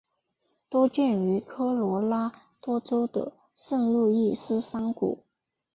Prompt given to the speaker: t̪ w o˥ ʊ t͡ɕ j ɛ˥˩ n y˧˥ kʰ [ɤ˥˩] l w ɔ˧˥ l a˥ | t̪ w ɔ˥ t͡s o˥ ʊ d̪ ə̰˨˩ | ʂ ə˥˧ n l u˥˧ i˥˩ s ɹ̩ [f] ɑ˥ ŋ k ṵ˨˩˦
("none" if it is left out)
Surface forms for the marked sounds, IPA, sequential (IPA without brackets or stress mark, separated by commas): ɤ˥, s